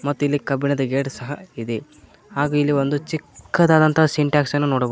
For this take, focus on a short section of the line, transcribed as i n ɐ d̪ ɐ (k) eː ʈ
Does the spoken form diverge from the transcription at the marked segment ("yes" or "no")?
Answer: yes